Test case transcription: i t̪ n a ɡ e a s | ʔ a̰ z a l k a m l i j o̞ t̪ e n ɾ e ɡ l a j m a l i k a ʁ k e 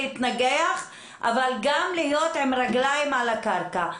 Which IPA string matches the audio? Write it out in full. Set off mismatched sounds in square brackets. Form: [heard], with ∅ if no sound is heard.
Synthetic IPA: i t̪ n a ɡ e a [χ] | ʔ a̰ [v] a l [ɡ] a m l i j o̞ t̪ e [m] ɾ [a] ɡ l a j m a l [a] k a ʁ k [a]